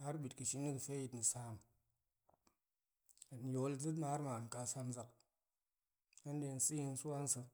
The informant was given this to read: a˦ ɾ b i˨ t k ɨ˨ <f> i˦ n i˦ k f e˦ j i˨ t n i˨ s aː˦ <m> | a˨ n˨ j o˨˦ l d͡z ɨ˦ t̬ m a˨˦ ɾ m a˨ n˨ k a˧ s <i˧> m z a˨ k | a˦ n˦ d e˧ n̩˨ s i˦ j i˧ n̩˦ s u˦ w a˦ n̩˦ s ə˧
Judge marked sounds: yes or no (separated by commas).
no, yes, no